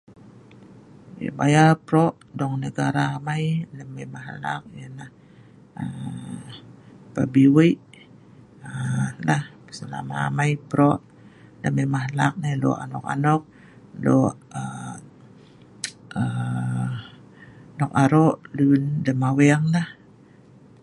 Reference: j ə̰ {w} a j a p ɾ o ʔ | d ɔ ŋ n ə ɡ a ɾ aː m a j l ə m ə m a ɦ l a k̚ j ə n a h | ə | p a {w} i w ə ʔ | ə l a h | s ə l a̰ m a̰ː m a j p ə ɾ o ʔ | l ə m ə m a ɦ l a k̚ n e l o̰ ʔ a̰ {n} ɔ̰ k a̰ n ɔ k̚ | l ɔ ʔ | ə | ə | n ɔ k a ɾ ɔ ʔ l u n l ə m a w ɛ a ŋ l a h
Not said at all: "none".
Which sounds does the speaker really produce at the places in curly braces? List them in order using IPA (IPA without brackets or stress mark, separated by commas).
b, b, n